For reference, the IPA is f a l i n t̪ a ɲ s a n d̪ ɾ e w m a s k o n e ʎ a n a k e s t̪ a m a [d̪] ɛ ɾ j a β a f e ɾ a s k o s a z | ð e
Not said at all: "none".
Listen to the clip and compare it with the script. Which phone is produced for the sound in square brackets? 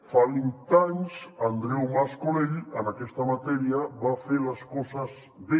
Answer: t̪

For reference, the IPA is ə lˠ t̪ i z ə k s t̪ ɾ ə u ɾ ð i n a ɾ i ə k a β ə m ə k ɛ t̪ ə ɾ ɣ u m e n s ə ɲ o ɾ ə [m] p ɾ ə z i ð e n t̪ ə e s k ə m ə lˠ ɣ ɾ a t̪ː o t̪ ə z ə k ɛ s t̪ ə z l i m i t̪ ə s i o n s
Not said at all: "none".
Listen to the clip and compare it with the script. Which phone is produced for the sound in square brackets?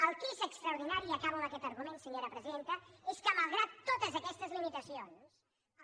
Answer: none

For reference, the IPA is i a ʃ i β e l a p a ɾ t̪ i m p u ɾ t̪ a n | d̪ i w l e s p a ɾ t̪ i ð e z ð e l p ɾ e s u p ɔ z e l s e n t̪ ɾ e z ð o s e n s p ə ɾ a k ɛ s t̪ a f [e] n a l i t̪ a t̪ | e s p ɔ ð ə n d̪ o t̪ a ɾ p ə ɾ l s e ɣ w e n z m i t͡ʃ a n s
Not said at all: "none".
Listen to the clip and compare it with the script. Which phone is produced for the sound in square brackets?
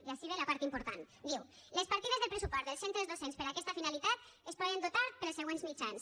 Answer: i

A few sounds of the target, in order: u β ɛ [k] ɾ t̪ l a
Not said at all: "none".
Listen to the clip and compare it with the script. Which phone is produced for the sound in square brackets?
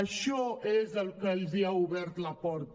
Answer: none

